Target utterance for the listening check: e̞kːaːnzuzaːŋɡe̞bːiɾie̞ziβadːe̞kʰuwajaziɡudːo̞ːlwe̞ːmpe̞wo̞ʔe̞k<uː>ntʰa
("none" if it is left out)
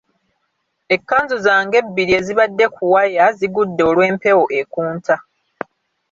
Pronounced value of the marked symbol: uː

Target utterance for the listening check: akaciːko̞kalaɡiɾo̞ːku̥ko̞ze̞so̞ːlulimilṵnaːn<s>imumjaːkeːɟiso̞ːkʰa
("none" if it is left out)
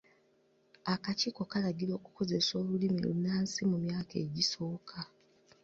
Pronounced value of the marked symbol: s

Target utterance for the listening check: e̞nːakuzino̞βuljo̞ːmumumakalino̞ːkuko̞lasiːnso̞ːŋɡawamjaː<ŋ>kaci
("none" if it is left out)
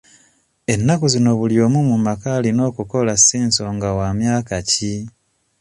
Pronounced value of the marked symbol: none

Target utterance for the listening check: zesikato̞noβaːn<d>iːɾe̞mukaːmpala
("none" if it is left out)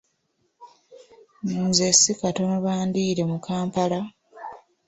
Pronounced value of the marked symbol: d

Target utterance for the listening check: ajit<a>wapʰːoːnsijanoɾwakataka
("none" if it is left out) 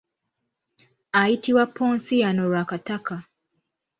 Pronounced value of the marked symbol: i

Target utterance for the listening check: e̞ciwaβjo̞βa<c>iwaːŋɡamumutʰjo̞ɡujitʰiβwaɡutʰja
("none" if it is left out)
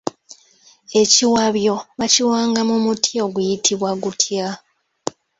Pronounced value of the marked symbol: c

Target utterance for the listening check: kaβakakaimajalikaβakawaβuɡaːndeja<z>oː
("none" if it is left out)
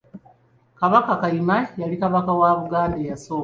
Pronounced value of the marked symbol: s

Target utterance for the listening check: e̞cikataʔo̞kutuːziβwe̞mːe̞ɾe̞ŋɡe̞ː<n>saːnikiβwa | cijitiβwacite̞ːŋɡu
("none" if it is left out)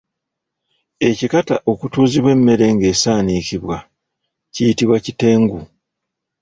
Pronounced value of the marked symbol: none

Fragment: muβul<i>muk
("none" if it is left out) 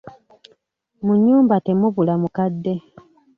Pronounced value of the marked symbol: a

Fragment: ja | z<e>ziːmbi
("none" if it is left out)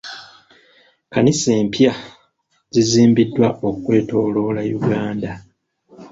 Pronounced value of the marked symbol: i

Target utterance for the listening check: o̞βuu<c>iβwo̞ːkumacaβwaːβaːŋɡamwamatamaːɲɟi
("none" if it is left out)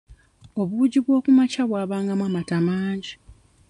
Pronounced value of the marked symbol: ɟ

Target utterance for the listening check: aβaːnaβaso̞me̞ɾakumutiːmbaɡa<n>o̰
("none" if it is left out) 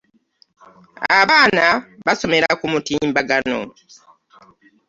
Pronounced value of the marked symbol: n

